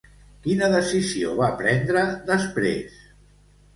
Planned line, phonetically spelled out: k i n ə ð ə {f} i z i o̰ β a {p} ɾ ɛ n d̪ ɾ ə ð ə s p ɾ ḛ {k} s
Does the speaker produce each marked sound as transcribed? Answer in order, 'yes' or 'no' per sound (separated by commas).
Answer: no, yes, no